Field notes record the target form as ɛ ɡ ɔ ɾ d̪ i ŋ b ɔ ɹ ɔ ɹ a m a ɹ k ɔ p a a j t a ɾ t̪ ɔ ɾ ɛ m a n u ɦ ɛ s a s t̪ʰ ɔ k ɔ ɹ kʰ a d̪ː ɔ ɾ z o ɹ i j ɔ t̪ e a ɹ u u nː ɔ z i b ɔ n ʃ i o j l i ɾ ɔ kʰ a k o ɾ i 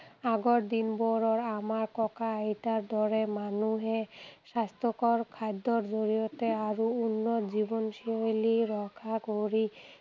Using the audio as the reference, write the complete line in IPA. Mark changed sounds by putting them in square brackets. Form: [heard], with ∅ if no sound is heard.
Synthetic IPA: [a] ɡ ɔ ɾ d̪ i [n] b ɔ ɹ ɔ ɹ a m a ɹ k ɔ [k] a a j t a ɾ [d̪] ɔ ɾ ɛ m a n u ɦ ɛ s a s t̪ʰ ɔ k ɔ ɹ kʰ a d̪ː ɔ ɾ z o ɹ i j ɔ t̪ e a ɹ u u nː ɔ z i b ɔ n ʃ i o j l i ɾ ɔ kʰ a k o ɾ i